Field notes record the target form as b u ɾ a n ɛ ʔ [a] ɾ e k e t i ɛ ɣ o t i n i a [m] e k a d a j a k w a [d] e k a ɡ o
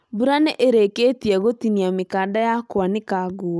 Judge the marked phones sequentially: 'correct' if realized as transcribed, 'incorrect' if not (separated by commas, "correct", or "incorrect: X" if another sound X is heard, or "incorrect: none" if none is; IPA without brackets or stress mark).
incorrect: e, correct, incorrect: n